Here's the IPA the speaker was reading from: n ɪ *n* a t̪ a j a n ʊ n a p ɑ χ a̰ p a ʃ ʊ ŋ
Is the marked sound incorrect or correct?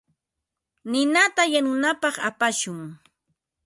correct